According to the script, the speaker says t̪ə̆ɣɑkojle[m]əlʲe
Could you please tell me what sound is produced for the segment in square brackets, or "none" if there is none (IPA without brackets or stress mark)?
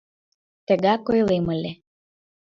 m